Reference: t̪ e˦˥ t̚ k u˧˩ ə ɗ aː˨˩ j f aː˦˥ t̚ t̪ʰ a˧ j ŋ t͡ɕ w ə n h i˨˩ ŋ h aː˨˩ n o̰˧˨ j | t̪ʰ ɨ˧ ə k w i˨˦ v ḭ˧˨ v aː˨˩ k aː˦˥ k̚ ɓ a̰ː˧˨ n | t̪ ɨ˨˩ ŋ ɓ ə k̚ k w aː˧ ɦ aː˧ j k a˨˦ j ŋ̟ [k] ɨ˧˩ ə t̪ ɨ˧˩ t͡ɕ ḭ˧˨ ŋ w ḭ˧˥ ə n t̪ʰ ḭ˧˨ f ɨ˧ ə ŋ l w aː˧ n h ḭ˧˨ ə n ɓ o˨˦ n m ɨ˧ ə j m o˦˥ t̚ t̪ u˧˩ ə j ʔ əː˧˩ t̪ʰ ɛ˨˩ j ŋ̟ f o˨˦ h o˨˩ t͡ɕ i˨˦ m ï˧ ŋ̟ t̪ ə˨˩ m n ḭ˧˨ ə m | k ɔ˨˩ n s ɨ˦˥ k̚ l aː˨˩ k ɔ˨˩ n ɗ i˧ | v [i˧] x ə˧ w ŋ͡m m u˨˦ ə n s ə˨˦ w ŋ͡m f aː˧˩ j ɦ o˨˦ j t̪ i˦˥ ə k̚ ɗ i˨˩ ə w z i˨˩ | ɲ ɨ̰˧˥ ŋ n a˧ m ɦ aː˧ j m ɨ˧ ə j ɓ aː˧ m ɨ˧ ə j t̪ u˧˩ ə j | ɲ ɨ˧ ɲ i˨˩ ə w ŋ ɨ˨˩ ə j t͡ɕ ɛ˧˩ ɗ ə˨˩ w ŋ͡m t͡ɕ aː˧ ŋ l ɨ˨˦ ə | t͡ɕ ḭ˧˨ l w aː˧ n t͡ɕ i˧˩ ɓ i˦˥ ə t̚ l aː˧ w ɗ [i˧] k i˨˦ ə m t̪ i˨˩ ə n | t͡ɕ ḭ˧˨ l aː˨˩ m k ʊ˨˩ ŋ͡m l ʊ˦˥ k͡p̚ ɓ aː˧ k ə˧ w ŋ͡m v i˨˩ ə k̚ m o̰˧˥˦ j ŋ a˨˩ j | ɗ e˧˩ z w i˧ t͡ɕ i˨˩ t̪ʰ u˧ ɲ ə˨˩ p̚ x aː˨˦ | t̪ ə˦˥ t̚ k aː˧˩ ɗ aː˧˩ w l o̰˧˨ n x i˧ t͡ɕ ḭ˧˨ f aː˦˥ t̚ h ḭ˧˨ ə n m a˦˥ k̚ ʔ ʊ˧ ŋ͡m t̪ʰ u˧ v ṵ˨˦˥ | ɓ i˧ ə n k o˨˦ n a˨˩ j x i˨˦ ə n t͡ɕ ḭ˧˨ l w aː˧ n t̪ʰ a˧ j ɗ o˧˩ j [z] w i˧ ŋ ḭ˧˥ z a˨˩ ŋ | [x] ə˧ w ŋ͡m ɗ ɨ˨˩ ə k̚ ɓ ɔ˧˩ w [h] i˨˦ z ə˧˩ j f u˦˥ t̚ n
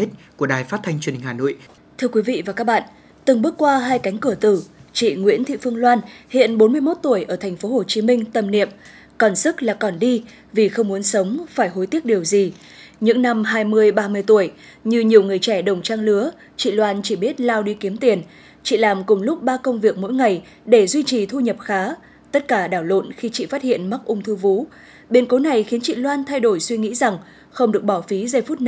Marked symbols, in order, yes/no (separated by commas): yes, no, yes, no, yes, no